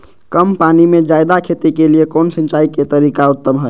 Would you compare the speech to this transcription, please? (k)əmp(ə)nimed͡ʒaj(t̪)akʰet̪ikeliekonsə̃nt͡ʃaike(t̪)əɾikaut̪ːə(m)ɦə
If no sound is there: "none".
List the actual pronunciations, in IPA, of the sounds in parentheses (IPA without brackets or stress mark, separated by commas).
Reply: k, a, d̪, t̪, m